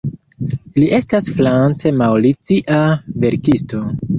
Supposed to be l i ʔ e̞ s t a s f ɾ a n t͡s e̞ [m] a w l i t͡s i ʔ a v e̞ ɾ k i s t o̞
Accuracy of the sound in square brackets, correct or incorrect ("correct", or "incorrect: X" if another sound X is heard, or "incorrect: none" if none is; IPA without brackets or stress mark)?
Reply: correct